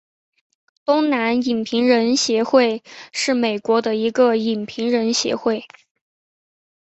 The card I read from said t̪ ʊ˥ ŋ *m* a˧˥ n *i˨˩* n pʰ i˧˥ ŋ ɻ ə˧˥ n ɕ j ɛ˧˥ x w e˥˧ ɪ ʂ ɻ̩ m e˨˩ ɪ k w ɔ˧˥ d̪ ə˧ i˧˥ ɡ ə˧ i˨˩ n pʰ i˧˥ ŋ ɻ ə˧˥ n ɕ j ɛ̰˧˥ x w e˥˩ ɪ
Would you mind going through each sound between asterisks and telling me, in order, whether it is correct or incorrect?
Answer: incorrect: n, correct

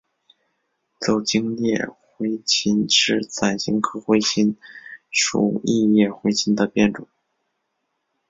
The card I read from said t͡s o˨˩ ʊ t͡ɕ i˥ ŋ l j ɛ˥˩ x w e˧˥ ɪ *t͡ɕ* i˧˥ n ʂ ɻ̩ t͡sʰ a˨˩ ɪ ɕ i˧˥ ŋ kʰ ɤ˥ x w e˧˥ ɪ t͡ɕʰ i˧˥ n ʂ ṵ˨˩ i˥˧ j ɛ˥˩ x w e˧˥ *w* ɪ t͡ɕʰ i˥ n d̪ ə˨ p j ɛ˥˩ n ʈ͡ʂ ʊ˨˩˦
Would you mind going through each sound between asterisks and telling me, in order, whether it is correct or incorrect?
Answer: incorrect: t͡ɕʰ, incorrect: none

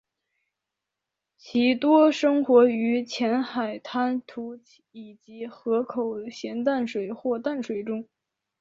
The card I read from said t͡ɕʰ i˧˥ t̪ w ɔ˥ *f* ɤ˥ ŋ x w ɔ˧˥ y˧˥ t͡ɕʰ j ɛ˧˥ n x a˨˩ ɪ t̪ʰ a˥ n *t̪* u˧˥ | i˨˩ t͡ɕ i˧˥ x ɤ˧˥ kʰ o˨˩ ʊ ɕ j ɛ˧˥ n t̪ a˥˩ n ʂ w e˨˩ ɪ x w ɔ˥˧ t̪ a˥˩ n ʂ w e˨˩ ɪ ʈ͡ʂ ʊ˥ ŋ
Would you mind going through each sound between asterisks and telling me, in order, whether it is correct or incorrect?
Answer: incorrect: ʂ, incorrect: t̪ʰ

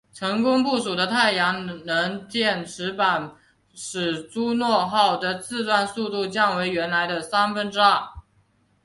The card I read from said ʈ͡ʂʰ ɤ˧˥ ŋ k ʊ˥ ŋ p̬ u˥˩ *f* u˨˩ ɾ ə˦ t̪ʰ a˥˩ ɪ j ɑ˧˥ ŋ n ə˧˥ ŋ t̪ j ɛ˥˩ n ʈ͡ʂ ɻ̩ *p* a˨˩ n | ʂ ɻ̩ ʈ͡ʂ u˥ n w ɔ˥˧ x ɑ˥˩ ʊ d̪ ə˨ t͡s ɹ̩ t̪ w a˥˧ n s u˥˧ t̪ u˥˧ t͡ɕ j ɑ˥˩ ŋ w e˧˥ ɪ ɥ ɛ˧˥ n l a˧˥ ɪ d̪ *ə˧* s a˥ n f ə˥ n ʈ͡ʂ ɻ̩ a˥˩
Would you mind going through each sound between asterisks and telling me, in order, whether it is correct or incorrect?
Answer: incorrect: ʂ, correct, correct

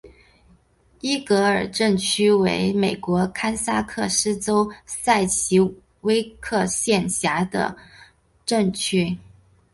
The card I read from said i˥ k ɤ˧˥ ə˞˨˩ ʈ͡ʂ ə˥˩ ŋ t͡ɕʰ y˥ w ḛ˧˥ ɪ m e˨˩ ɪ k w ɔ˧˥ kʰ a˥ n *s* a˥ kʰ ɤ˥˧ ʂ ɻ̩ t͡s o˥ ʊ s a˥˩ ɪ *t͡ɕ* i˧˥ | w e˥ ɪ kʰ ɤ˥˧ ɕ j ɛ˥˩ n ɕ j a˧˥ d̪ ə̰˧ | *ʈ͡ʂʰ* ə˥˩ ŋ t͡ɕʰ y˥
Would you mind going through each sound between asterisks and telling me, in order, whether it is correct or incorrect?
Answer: correct, incorrect: t͡ɕʰ, incorrect: ʈ͡ʂ

